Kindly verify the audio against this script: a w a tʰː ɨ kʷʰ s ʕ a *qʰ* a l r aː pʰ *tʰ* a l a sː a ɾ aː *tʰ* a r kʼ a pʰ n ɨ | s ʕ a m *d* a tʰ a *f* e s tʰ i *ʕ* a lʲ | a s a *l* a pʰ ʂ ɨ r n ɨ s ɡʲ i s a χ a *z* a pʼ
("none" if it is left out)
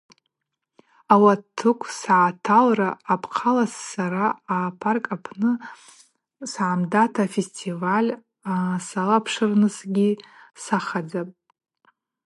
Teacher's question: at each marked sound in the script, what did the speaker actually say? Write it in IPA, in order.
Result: tʰ, qʰ, pʰ, d, f, v, l, d͡z

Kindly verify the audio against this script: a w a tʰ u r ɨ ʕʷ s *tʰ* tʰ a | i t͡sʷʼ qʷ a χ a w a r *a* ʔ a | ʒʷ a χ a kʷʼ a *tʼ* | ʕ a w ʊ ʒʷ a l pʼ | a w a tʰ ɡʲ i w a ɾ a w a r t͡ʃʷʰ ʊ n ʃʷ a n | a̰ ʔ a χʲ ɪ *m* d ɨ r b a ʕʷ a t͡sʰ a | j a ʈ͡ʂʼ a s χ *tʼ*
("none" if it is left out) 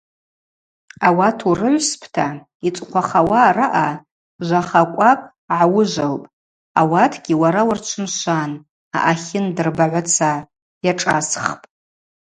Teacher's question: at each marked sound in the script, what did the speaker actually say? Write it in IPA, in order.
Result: pʰ, a, kʼ, n, pʼ

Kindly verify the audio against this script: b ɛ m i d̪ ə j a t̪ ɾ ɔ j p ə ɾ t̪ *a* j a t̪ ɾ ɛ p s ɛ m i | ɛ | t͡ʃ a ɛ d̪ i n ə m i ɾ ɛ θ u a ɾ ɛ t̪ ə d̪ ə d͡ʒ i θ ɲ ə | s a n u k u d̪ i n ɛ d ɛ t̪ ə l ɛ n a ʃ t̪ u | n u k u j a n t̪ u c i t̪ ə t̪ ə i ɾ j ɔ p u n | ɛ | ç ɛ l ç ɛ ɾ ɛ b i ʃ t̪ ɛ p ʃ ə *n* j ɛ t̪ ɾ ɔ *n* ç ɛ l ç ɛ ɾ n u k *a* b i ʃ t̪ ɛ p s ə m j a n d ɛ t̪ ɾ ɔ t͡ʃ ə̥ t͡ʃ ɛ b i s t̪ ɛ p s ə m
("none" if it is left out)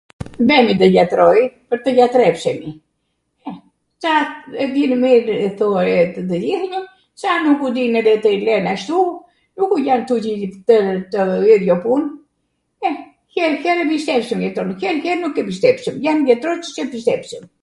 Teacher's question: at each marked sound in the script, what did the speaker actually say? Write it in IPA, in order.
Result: ə, m, n, ɛ

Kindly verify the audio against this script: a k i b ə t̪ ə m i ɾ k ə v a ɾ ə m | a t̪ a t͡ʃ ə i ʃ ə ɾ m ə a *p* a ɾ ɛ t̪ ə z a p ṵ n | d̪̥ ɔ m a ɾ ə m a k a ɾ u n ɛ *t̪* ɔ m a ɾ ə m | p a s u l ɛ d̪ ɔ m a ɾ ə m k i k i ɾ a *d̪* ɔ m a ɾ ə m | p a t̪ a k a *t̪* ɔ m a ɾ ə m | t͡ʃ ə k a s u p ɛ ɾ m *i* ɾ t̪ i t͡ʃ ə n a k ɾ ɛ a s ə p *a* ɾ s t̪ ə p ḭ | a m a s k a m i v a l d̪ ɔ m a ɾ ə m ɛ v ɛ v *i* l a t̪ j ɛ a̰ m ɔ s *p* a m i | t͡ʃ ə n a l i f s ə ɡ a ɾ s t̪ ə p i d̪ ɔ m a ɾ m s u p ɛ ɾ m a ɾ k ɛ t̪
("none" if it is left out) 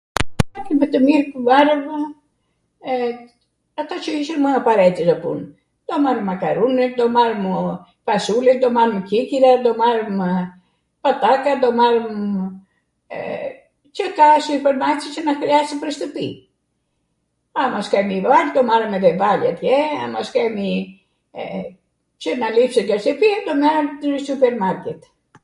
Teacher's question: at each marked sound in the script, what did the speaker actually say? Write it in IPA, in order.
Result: p, d̪, d̪, d̪, a, ə, a, k

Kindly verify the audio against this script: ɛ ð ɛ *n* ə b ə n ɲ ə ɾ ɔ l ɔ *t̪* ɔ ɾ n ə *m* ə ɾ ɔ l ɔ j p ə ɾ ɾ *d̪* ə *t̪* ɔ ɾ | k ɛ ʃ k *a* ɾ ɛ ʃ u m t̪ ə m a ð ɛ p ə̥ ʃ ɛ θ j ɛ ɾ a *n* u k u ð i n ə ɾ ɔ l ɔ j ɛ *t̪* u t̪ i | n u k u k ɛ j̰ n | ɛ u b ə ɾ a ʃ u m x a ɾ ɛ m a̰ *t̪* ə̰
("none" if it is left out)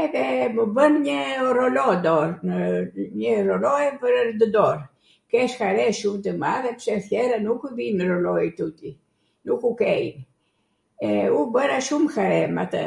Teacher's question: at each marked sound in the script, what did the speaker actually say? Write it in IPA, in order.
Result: m, d̪, ɲ, d̪, d̪, a, n, t̪, t̪

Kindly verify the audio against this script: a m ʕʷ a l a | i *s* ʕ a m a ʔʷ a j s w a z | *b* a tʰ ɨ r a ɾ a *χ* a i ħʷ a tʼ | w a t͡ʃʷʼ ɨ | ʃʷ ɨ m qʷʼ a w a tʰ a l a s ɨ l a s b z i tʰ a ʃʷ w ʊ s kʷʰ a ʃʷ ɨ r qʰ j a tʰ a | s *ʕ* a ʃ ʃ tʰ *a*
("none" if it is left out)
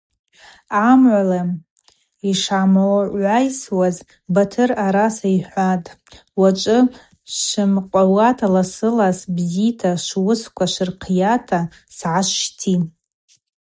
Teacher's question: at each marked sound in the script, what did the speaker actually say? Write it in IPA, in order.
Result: ʂ, b, s, ʕ, i

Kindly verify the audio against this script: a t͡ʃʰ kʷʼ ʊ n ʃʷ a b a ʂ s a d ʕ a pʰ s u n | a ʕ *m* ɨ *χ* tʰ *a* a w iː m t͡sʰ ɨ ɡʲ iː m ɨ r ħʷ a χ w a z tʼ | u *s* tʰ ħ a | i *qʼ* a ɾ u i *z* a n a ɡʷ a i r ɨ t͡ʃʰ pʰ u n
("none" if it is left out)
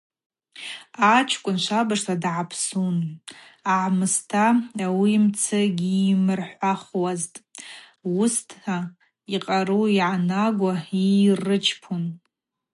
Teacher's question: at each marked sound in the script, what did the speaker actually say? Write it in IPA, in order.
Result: m, s, a, s, qʼ, ʕ

